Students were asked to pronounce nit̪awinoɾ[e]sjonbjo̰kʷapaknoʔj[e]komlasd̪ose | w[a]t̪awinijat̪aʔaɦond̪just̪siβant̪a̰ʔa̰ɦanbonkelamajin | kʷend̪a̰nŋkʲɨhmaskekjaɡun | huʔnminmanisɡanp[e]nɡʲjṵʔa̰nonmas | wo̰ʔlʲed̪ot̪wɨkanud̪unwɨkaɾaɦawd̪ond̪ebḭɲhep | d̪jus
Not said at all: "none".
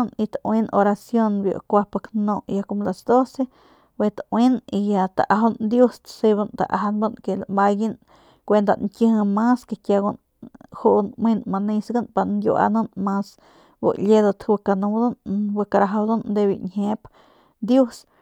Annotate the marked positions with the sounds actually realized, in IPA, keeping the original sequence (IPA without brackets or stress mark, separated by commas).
a, a, e, a